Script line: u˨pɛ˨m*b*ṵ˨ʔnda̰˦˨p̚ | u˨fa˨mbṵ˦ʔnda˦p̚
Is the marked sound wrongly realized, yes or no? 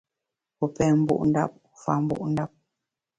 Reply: no